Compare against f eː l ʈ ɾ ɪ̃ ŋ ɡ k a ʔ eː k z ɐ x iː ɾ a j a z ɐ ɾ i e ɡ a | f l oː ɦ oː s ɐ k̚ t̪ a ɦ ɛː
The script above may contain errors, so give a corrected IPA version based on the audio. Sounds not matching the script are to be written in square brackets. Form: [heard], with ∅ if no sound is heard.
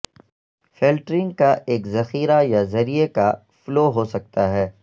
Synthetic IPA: f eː l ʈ ɾ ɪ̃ ŋ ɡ k a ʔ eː k z ɐ x iː ɾ a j a z ɐ ɾ i e [k] a | f l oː ɦ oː s ɐ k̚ t̪ a ɦ ɛː